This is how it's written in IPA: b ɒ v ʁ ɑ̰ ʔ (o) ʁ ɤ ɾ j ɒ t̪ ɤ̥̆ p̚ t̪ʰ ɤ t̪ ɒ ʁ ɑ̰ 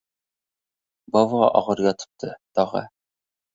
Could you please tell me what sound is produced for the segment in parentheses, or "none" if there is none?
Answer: ɒ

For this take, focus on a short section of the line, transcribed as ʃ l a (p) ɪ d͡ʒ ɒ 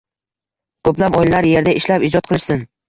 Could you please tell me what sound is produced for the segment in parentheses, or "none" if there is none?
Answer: p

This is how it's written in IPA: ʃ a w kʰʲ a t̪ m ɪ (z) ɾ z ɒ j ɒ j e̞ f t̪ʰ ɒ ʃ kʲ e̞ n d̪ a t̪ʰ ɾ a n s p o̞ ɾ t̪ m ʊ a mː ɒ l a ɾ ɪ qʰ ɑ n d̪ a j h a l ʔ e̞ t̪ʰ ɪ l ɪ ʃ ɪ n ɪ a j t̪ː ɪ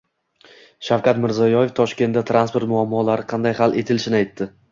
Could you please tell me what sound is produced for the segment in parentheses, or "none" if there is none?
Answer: none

